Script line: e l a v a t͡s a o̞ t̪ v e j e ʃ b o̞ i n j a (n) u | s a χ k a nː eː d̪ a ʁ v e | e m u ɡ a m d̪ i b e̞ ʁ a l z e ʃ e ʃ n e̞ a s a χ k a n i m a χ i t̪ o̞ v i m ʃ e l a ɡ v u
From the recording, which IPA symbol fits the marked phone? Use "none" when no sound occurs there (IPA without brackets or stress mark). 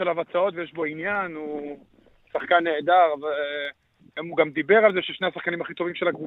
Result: n